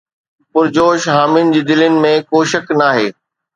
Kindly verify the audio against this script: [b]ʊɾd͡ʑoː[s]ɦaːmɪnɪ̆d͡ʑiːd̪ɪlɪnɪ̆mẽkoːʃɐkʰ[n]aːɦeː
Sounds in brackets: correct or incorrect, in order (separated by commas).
incorrect, incorrect, correct